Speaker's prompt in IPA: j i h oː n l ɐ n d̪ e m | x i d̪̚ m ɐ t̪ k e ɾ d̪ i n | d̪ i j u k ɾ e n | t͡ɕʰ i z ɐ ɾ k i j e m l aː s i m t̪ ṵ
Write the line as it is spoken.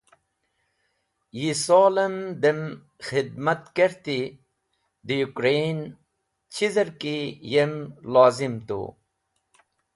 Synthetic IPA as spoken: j i s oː l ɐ m d̪ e m | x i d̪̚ m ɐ t̪ k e ɾ t̪ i | d̪ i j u k ɾ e n | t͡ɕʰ i z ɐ ɾ k i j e m l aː z i m t̪ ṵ